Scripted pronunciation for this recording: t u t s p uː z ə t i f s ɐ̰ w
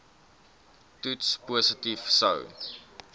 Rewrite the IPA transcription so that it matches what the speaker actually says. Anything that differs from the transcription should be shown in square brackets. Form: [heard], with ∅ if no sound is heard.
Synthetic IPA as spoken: t u t s p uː [s] ə t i f s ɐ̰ w